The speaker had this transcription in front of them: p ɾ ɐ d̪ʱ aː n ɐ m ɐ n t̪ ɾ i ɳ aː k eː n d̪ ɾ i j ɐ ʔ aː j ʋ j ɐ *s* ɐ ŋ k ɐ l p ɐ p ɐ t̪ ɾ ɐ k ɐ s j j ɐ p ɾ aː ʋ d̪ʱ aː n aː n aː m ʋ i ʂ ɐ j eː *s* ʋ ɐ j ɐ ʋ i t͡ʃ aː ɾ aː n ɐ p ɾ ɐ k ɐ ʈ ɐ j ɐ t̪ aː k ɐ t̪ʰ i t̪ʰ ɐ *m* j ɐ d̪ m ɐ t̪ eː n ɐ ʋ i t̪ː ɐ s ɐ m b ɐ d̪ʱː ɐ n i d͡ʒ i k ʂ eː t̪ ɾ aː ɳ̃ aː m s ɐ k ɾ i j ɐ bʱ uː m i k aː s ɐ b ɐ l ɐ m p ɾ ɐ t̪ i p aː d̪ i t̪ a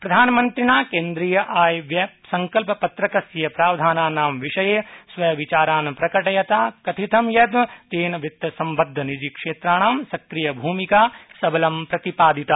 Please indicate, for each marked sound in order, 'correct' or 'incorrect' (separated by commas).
correct, correct, correct